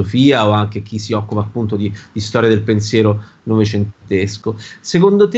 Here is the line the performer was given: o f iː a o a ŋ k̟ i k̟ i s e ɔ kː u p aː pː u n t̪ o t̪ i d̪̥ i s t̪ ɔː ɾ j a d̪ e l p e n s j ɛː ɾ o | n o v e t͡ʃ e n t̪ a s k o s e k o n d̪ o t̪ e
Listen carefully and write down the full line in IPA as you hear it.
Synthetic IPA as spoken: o f iː a o a ŋ k̟ e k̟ i s i ɔ kː u p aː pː u n t̪ o d̪ i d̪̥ i s t̪ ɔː ɾ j a d̪ e l p e n s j ɛː ɾ o | n o v e t͡ʃ e n t̪ e s k o s e k o n d̪ o t̪ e